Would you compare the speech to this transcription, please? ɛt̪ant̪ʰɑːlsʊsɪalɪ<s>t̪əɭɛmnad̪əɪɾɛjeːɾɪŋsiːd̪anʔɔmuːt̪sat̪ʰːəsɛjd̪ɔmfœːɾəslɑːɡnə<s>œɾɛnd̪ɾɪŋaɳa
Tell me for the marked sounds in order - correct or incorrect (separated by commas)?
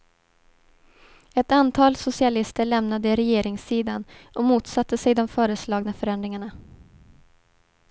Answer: correct, incorrect